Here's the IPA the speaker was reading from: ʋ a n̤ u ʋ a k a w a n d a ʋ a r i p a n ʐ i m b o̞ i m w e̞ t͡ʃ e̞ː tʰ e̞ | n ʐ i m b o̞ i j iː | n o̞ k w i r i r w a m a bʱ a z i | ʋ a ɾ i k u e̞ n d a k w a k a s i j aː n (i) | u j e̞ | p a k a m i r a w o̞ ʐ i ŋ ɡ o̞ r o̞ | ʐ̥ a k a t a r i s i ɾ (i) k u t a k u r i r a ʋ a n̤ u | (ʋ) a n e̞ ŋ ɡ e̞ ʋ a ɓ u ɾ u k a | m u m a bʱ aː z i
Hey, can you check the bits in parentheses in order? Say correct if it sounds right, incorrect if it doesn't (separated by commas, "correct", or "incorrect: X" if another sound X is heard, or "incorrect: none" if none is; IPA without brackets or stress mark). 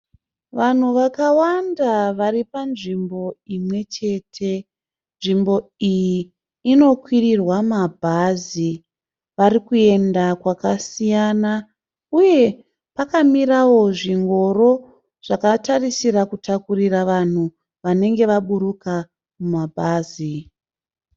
incorrect: a, incorrect: a, correct